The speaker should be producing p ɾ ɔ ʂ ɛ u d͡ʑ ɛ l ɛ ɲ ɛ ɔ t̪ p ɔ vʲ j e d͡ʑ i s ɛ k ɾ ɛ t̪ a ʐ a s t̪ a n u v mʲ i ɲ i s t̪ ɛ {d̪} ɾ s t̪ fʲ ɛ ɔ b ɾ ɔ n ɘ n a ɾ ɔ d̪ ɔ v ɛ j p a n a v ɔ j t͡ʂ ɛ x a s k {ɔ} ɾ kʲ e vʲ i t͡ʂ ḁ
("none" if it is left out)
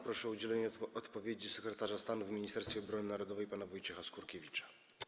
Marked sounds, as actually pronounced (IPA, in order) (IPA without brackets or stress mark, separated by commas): none, u